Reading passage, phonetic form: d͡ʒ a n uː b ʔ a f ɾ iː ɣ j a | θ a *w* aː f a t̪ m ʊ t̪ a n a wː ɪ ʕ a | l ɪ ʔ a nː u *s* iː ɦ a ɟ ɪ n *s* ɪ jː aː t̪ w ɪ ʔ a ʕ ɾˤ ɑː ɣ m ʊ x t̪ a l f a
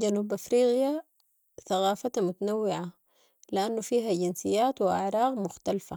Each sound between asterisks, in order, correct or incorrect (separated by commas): incorrect, incorrect, correct